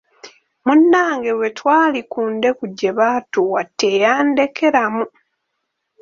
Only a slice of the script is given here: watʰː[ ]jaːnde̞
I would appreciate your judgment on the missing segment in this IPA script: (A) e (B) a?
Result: A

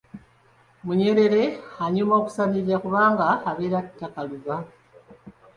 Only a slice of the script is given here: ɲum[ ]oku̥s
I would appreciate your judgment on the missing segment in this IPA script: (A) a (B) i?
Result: A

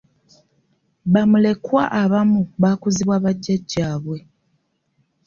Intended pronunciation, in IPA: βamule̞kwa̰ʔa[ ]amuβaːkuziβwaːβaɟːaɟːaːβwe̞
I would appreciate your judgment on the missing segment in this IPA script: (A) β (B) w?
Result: A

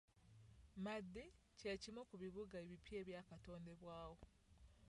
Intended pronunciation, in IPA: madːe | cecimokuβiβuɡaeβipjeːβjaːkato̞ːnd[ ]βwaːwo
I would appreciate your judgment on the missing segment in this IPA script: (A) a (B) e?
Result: B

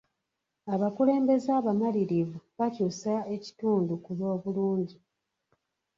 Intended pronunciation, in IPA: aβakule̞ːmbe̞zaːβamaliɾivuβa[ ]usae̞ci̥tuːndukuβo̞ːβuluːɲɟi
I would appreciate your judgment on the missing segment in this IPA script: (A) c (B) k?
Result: A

